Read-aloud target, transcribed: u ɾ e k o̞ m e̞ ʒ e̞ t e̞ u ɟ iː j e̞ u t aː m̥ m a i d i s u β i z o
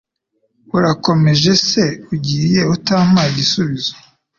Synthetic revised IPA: u ɾ a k o̞ m e̞ ʒ e̞ s e̞ u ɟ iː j e̞ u t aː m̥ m a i ɟ i s u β i z o